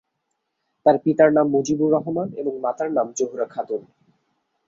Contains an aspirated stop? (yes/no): yes